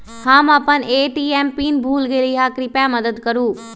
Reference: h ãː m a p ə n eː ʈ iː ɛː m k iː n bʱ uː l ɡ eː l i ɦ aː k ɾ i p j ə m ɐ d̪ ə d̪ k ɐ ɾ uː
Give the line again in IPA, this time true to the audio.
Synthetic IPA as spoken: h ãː m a p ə n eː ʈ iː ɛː m p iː n bʱ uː l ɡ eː l i ɦ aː k ɾ i p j a m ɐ d̪ ə d̪ k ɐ ɾ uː